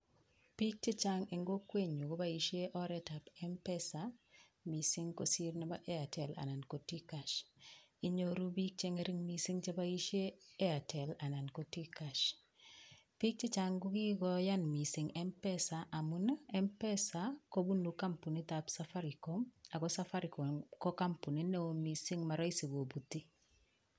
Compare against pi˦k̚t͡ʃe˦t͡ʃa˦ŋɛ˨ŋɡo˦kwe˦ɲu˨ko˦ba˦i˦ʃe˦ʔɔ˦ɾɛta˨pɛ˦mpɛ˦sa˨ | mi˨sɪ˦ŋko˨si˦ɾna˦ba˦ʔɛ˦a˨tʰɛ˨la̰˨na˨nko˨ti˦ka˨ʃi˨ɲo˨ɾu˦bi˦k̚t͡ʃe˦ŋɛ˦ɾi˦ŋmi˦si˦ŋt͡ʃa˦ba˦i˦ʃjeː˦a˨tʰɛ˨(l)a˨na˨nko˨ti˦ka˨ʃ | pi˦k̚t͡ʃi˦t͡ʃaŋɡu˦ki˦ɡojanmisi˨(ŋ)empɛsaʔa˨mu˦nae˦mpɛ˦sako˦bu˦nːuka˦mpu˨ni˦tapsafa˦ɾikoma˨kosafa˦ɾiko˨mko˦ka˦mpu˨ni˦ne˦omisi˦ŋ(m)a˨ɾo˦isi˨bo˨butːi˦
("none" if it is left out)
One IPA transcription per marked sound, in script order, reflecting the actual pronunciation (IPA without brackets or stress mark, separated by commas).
l, ŋ, m